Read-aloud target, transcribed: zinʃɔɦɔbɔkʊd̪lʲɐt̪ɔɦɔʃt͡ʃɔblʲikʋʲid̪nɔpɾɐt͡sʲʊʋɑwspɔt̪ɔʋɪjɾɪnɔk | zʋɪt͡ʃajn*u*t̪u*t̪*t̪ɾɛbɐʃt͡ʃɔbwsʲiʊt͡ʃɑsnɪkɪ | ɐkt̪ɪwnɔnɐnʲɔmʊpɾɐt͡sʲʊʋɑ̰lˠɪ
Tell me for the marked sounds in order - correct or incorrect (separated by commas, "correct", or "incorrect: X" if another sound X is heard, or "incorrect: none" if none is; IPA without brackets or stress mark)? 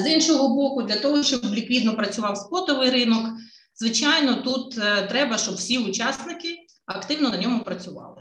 incorrect: ɔ, correct